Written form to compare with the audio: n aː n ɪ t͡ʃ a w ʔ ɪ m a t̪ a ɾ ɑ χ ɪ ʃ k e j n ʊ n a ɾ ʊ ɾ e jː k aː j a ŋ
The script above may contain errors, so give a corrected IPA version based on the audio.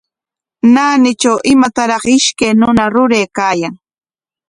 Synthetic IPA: n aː n ɪ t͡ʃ a w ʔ ɪ m a t̪ a ɾ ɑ χ ɪ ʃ k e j n ʊ n a ɾ ʊ ɾ e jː k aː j a ŋ